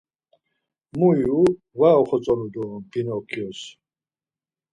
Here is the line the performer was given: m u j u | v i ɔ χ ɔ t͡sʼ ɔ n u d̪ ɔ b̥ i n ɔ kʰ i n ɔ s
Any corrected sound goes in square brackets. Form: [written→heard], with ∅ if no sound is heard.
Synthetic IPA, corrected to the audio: m u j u | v [i→a] ɔ χ ɔ t͡sʼ ɔ n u d̪ ɔ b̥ i n ɔ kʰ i [n→∅] ɔ s